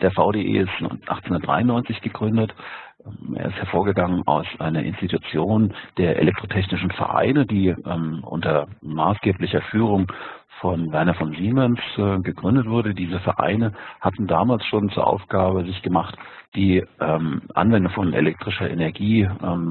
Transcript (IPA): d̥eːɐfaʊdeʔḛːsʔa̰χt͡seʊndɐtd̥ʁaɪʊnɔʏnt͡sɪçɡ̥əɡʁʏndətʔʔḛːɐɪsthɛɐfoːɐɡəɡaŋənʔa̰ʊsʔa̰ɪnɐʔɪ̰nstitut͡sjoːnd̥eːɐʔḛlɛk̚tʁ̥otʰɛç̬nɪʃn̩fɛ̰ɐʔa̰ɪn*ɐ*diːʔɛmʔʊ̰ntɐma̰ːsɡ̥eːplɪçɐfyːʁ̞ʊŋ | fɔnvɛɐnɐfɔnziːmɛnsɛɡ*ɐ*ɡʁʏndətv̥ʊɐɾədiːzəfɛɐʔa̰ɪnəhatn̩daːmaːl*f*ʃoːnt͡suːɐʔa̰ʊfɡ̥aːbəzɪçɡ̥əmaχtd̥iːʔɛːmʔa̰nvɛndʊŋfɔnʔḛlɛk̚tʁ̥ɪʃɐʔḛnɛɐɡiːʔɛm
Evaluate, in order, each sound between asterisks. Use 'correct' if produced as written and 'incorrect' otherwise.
incorrect: ə, incorrect: ə, incorrect: s

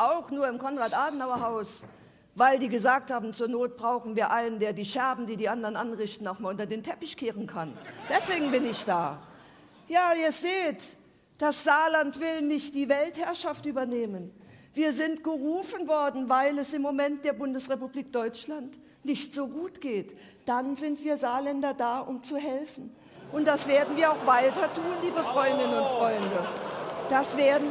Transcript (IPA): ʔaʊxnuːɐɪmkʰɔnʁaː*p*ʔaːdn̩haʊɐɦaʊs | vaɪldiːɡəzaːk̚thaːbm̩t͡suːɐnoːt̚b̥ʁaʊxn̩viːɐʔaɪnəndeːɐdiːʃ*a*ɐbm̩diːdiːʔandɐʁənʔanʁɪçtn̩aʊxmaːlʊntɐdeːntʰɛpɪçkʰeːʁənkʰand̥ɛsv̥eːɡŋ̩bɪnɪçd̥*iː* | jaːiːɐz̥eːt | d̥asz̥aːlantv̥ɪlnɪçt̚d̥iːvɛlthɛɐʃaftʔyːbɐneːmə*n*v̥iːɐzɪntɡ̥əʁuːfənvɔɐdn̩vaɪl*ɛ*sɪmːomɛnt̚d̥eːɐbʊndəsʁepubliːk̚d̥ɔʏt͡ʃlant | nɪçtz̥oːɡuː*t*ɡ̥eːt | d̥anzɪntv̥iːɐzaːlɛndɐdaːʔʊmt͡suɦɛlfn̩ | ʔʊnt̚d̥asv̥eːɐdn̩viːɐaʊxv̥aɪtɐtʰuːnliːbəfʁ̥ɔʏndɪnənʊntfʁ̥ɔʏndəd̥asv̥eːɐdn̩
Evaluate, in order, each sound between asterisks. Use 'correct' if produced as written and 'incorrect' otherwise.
incorrect: t, incorrect: ɛ, incorrect: aː, correct, correct, correct

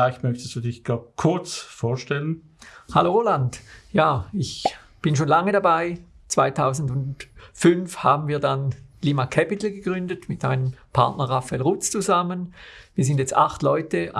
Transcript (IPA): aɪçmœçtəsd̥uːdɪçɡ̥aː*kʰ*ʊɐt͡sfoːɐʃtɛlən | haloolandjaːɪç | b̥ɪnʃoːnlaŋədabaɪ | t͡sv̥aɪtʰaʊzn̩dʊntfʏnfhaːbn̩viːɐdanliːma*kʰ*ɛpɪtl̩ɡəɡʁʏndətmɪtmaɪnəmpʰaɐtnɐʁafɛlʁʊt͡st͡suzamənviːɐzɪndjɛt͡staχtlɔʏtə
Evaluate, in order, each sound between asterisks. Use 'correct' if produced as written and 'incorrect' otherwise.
correct, correct

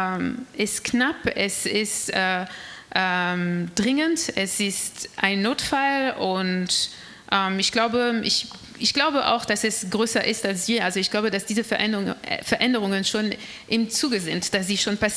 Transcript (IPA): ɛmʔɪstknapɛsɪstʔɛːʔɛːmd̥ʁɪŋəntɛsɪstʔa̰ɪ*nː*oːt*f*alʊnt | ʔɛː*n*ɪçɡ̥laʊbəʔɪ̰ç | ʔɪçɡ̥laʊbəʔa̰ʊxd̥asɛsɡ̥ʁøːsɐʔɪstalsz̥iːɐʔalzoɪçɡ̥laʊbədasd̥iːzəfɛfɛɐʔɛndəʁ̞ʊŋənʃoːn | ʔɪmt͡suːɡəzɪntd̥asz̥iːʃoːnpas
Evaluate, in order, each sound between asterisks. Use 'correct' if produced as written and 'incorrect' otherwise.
correct, correct, incorrect: m

